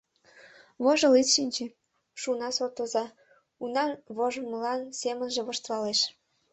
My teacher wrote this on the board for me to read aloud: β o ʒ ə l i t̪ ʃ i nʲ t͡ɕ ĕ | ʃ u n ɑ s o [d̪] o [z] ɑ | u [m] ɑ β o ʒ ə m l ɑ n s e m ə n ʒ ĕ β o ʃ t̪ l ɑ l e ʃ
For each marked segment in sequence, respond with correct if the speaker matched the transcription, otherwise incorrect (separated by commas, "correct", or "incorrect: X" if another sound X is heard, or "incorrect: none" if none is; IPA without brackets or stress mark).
incorrect: t̪, correct, incorrect: n